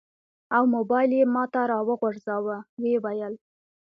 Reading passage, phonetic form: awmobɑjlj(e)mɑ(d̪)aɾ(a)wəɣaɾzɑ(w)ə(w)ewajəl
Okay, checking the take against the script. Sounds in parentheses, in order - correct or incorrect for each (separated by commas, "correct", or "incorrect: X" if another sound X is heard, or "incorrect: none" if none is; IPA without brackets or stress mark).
correct, incorrect: t̪, incorrect: ɑ, correct, correct